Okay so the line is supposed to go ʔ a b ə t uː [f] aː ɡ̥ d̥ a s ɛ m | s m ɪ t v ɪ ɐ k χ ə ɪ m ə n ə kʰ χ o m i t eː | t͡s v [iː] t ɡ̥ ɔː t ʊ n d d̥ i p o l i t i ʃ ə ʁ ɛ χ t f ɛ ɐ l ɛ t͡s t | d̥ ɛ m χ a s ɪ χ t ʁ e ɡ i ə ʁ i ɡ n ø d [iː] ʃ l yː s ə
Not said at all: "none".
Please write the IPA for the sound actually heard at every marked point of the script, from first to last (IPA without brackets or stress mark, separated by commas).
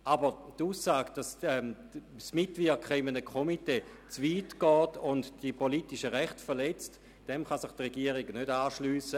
s, iː, aː